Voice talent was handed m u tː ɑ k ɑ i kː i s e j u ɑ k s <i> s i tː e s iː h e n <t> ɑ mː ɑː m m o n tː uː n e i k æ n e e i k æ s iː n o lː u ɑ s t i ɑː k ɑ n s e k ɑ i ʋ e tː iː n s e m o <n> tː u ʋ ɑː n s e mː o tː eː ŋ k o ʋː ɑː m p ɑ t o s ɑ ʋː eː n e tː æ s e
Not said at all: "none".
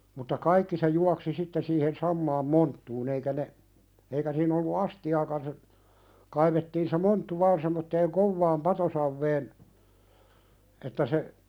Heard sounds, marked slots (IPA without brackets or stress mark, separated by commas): i, s, n